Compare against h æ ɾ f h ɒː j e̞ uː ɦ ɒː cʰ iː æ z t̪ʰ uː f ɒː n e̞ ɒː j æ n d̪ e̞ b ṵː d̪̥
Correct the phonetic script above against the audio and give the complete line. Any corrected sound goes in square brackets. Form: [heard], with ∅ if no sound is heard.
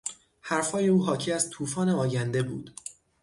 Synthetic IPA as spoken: h æ ɾ f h ɒː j e̞ uː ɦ ɒː cʰ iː æ z t̪ʰ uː f ɒː n e̞ ɒː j æ n d̪ e̞ b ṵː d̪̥

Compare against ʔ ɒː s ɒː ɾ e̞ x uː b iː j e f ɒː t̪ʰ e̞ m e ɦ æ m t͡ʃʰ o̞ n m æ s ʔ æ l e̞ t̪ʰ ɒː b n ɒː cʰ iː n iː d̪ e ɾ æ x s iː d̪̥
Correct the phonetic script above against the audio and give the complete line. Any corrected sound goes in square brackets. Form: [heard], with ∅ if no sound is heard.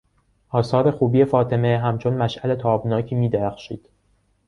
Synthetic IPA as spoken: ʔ ɒː s ɒː ɾ e̞ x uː b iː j e f ɒː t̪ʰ e̞ m e ɦ æ m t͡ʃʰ o̞ n m æ [ʃ] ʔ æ l e̞ t̪ʰ ɒː b n ɒː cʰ iː [m] iː d̪ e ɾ æ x [ʃ] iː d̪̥

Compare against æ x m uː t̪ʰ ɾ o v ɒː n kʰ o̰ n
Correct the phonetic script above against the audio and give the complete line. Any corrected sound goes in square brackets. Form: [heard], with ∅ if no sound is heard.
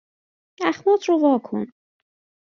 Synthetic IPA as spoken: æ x m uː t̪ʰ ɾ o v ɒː [∅] kʰ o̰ n

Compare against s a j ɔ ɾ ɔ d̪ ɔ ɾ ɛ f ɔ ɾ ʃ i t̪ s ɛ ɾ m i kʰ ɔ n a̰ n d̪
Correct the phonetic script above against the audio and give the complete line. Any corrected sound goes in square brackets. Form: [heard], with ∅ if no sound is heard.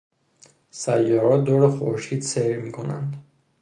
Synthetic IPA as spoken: s a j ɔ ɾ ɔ d̪ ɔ ɾ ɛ [χ] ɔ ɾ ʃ i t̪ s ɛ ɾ m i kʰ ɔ n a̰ n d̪

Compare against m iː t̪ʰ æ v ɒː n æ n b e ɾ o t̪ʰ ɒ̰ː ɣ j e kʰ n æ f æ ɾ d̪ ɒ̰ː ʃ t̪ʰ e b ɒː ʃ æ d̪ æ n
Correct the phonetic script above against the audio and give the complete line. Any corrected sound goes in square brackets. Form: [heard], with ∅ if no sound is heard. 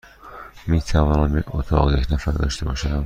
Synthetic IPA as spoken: m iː t̪ʰ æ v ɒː n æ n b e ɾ o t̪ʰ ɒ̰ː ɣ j e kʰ n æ f æ ɾ d̪ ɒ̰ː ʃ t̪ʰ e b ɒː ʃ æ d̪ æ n

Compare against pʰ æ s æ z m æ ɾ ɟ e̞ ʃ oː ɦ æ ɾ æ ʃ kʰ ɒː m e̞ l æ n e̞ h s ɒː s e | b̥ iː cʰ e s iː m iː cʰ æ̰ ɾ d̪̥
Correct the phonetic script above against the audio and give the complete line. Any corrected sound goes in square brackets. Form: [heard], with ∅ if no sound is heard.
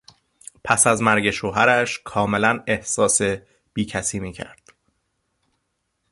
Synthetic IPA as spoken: pʰ æ s æ z m æ ɾ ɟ e̞ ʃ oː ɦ æ ɾ æ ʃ kʰ ɒː m e̞ l æ n e̞ h s ɒː s e | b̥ iː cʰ [æ] s iː m iː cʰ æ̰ ɾ d̪̥

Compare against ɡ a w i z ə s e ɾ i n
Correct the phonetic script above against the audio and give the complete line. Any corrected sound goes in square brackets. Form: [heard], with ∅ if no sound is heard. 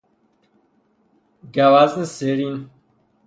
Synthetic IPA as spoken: ɡ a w [a] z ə s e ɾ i n

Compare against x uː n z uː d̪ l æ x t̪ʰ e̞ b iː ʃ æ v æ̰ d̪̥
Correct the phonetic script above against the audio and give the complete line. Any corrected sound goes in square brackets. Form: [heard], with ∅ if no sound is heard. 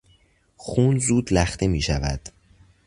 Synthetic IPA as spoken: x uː n z uː d̪ l æ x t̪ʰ e̞ [m] iː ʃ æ v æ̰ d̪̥

